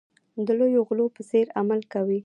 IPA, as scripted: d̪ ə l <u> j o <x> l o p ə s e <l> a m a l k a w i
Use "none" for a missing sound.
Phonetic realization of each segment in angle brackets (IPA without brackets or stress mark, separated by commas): o, ɣ, ɾ